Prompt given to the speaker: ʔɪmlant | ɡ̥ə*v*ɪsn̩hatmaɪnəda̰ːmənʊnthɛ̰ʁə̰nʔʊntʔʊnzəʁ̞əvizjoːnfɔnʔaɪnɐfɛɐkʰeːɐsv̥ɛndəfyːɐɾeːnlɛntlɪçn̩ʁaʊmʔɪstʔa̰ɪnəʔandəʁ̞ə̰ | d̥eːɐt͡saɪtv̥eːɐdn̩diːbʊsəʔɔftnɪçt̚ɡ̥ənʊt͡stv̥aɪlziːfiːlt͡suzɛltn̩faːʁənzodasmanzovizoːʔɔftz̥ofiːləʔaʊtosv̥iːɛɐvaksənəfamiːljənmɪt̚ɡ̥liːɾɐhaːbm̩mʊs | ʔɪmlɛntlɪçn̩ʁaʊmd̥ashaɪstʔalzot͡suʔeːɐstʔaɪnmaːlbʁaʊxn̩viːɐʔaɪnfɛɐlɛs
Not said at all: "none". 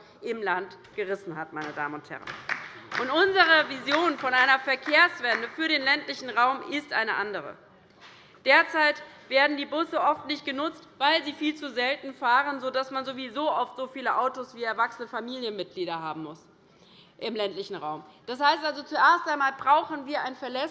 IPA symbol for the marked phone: ʁ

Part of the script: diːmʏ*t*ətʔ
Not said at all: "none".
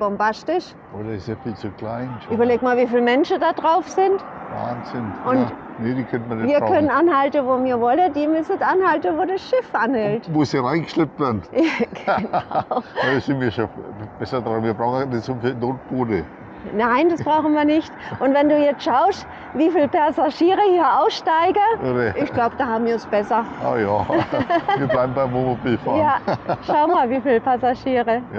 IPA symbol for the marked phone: s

